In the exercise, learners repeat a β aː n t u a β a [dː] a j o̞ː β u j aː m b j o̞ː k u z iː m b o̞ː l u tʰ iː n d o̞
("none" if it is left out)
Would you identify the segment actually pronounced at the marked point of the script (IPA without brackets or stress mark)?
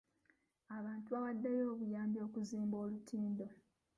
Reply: dː